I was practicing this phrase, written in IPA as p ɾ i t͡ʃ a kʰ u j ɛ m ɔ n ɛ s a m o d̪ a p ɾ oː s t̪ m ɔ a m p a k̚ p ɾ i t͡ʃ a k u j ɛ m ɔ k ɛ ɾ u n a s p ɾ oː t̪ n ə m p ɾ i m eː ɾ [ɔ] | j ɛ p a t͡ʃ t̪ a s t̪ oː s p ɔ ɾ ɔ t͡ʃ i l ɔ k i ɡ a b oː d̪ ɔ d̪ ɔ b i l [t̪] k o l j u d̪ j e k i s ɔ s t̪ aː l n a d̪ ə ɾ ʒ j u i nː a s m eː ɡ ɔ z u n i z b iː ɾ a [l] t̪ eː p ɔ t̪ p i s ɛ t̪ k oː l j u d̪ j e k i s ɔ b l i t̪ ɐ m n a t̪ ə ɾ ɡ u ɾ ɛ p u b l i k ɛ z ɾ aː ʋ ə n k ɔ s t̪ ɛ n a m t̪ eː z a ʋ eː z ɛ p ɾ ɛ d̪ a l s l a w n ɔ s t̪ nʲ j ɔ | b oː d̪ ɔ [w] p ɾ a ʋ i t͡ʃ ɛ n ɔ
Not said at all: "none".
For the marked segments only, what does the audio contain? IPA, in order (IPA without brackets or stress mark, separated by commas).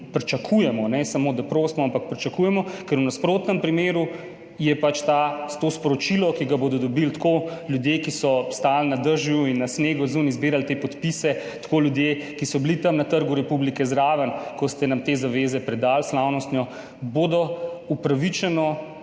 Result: u, t̪, l, u